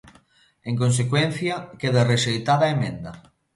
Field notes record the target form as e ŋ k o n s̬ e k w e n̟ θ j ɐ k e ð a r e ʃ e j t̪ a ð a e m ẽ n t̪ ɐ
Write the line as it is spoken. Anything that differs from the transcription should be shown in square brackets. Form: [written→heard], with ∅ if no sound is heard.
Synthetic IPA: e ŋ k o n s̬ e k w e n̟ θ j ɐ k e ð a r e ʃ e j t̪ a ð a e m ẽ n [t̪→d̪] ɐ